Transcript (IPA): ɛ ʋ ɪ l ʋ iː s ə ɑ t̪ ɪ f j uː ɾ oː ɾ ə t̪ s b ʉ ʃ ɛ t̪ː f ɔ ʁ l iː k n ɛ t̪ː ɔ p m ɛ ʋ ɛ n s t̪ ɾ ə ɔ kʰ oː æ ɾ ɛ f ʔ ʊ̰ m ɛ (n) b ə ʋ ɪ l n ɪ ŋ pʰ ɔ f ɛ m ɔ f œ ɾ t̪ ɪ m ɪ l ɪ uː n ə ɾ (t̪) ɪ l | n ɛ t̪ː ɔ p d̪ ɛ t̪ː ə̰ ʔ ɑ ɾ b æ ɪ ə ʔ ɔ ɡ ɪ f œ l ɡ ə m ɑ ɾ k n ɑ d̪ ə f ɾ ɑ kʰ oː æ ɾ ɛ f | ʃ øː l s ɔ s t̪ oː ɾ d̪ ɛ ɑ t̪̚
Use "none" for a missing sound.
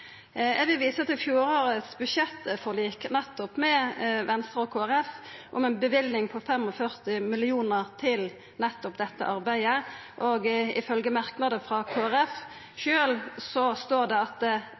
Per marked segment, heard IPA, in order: n, t̪ʰ

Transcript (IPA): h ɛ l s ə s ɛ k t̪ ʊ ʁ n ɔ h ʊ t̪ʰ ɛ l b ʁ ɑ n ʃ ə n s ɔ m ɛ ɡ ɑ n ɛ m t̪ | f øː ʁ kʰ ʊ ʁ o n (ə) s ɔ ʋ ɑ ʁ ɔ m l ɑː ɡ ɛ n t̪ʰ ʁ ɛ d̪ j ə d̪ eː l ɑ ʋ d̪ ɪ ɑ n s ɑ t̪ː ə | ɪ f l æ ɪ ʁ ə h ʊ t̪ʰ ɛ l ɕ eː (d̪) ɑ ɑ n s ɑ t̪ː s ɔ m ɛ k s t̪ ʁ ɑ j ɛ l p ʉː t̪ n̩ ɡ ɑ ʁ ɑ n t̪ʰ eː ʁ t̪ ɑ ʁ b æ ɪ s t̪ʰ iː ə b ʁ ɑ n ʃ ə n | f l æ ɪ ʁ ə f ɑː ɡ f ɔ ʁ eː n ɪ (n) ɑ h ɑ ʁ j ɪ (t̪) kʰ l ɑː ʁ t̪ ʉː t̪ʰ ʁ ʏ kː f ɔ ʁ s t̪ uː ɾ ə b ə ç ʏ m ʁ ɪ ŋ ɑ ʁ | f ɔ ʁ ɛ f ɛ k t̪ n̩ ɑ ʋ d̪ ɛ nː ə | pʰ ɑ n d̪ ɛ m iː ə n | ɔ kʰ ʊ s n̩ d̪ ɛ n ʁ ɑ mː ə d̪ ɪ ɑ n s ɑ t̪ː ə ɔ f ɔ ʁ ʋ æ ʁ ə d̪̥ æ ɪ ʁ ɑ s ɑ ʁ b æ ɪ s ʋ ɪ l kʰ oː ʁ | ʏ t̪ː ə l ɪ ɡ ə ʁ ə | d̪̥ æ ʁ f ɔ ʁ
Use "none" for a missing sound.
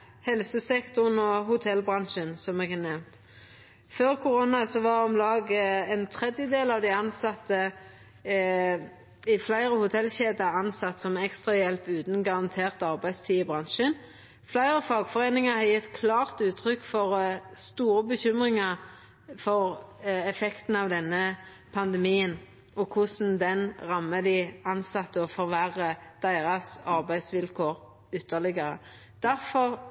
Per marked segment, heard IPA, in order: ɑ, d̪, ŋ, t̪

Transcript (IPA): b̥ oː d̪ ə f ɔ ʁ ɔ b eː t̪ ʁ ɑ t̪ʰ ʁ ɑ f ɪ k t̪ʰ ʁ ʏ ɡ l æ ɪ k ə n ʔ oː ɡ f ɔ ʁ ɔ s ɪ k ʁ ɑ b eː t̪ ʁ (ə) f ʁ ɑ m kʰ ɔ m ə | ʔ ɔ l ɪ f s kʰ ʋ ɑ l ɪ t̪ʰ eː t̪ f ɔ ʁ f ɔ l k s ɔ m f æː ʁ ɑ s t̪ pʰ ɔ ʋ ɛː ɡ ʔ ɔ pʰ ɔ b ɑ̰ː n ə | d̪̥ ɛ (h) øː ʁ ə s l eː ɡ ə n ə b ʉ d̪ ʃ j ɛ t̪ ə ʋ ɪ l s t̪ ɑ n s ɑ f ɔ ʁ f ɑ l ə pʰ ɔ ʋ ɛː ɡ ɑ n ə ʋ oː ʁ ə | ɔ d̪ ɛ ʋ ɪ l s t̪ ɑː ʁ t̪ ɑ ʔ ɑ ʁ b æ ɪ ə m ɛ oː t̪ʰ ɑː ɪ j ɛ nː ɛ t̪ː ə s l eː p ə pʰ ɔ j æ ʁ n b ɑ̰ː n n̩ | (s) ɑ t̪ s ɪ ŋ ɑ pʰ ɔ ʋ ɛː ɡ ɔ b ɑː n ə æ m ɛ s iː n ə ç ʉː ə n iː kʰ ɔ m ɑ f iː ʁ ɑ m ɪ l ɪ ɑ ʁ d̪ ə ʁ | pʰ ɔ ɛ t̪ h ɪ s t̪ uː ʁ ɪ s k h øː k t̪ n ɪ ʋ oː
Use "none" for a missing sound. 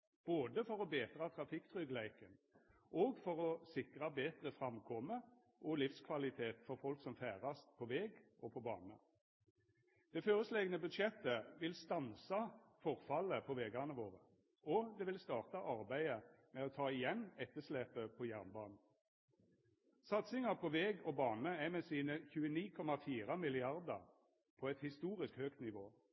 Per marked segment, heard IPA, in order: ə, f, s

